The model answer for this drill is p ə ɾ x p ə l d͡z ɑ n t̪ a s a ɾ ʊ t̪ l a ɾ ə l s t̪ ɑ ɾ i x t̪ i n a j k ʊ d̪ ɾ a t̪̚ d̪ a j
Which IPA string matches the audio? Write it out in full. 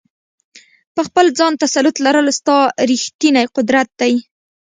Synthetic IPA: p ə x p ə l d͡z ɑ n t̪ a s a l ʊ t̪ l a ɾ ə l s t̪ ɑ ɾ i x t̪ i n a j q ʊ d̪ ɾ a t̪̚ d̪ a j